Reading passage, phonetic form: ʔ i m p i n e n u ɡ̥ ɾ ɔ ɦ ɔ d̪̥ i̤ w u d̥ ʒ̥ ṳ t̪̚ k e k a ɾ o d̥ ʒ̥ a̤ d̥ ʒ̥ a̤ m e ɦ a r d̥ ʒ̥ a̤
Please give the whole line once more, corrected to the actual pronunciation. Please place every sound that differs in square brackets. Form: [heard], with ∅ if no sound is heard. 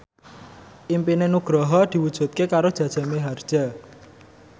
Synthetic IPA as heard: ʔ i m p i n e n u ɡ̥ ɾ ɔ ɦ ɔ d̪̥ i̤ w u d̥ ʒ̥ ṳ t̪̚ k e k a ɾ o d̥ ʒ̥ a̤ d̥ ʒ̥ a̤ m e ɦ a r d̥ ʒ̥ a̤